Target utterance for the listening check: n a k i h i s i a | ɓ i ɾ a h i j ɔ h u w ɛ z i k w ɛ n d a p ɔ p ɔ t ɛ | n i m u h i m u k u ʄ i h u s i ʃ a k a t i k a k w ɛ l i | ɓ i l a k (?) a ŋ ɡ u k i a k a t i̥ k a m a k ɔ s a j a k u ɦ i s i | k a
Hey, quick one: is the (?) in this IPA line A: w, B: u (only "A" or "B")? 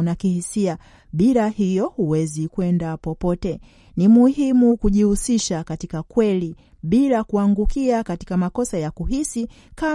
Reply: B